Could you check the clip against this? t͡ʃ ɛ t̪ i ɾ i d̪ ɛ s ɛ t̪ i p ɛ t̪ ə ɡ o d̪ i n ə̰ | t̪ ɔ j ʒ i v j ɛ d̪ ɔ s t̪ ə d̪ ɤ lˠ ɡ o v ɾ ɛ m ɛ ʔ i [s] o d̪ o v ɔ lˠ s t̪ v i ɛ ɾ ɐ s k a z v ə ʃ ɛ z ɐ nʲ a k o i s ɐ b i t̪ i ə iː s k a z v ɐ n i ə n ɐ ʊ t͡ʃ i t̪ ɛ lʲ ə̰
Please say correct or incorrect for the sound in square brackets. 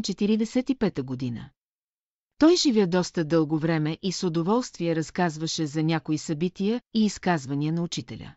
correct